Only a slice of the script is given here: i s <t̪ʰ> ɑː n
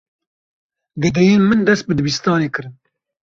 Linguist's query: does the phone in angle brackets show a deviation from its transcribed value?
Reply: yes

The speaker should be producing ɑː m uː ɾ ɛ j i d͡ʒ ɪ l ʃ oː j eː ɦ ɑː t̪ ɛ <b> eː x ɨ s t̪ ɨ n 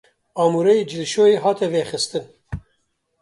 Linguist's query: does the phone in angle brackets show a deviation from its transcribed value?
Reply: yes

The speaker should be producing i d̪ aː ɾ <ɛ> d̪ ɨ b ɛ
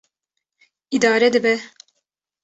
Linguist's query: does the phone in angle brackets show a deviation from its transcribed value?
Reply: no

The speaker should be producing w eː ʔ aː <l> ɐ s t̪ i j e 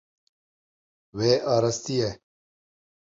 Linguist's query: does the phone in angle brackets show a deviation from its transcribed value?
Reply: yes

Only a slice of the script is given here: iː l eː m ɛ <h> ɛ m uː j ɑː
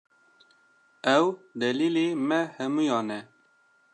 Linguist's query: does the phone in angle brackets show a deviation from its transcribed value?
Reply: no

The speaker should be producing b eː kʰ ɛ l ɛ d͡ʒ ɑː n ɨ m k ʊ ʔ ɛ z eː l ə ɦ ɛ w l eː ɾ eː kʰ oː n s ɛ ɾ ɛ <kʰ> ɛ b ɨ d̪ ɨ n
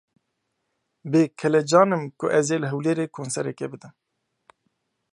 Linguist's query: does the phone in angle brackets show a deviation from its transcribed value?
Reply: yes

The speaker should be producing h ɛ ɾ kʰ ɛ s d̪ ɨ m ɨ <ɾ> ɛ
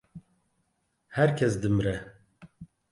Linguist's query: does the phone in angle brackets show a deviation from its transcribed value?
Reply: no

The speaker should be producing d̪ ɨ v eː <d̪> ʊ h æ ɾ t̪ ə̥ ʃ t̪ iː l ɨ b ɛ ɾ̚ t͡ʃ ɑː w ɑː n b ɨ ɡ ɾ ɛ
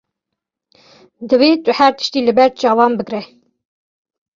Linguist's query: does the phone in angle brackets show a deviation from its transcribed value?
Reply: yes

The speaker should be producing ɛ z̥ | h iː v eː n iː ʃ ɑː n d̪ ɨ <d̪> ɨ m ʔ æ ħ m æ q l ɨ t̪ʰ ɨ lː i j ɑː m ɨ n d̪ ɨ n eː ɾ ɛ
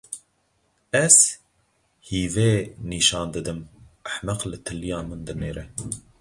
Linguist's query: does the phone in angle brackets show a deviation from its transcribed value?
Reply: no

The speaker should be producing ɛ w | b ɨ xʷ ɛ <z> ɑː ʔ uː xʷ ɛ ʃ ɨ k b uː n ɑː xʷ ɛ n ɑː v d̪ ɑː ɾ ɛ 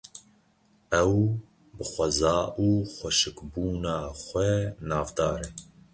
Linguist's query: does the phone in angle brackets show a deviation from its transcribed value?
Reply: no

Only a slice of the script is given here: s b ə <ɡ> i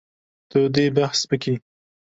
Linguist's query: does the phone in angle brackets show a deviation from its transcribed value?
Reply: yes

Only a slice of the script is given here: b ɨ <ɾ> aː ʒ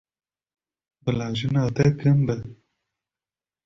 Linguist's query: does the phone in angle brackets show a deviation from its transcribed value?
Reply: yes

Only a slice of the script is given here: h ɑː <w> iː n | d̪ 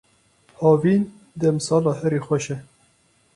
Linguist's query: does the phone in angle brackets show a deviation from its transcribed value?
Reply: yes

